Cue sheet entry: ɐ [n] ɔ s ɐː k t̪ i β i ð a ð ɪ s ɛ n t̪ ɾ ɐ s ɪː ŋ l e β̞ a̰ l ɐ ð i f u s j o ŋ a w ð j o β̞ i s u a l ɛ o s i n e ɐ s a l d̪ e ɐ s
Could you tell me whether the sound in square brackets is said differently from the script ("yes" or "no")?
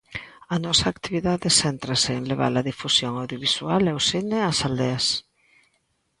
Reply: no